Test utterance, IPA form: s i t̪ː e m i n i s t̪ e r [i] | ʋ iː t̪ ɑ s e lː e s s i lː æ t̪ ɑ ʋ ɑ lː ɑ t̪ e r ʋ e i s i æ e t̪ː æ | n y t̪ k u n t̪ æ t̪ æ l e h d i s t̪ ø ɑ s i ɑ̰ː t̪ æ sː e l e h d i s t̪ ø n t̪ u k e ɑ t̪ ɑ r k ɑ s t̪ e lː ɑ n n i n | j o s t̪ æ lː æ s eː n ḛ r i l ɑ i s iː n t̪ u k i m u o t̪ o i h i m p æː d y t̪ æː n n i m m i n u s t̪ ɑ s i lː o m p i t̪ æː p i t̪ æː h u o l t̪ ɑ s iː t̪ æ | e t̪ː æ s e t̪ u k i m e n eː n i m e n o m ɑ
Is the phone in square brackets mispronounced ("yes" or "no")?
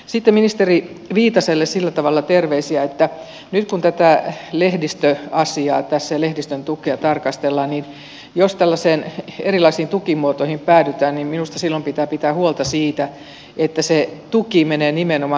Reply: no